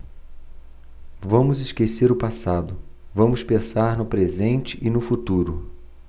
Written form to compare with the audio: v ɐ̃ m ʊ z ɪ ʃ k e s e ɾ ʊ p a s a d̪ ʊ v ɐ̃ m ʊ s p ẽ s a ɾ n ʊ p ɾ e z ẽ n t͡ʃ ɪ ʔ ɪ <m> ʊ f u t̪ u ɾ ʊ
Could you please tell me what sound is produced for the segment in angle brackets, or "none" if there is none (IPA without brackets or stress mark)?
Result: n